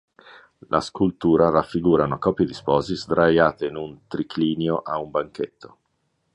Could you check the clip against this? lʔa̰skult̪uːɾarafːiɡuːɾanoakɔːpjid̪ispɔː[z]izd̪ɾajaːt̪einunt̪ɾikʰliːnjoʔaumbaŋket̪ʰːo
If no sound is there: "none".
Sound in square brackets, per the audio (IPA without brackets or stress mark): z